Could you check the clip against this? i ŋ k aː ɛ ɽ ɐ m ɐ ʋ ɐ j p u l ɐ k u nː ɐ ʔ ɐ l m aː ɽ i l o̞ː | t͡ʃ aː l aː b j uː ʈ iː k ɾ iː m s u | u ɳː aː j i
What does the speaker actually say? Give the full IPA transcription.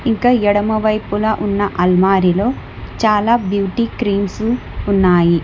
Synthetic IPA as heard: i ŋ k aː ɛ ɽ ɐ m ɐ ʋ ɐ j p u l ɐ ʔ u nː ɐ ʔ ɐ l m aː ɾ i l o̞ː | t͡ʃ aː l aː b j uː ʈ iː k ɾ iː m s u | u nː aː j i